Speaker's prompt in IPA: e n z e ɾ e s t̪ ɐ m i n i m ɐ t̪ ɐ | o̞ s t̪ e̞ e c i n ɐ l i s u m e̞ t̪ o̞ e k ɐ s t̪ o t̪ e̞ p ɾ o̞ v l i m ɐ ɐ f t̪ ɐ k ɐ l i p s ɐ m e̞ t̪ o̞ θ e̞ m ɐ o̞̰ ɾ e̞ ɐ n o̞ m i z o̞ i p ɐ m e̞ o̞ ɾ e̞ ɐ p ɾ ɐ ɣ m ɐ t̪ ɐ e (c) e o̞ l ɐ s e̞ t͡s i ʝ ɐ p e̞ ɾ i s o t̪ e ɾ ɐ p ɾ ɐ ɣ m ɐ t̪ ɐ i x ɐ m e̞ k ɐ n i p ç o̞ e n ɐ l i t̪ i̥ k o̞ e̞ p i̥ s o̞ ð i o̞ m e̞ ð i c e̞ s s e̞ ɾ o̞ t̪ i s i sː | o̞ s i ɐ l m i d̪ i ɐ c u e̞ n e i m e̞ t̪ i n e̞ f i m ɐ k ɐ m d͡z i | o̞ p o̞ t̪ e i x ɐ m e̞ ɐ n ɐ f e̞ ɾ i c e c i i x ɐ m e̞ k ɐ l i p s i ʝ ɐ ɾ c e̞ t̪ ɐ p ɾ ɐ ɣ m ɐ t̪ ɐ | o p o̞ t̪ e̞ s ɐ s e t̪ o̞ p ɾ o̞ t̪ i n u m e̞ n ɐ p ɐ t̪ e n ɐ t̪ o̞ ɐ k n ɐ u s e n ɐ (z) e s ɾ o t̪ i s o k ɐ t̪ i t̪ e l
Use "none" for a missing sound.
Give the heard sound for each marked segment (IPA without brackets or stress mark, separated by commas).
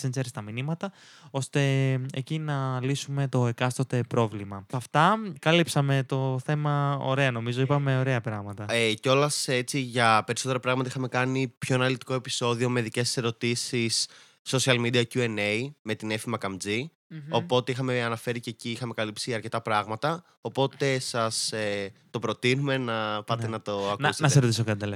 c, s